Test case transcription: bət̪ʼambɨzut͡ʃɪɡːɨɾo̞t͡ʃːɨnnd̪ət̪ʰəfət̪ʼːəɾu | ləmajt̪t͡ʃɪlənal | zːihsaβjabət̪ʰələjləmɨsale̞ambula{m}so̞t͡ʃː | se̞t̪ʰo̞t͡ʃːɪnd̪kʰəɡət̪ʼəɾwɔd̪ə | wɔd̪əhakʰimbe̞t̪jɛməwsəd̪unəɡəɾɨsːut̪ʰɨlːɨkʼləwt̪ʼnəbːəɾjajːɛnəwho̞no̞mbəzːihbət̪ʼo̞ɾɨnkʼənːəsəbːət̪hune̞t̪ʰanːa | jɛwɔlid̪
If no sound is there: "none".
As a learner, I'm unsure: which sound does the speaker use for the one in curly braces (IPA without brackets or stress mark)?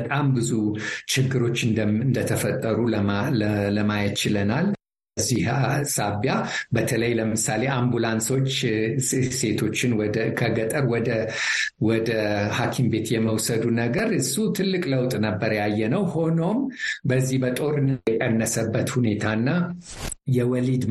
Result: n